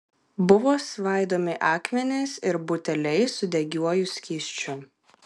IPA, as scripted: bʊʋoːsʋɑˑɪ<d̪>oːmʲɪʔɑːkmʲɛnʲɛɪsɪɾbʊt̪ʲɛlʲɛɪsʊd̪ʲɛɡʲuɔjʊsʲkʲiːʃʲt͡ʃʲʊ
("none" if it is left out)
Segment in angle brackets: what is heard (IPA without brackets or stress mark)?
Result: d̪